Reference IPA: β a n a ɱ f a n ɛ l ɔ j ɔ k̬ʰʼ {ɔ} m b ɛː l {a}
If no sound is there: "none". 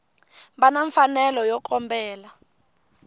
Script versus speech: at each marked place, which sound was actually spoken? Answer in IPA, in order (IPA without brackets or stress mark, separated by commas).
ɔ, a